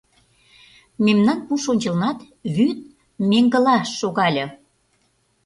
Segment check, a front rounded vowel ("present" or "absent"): present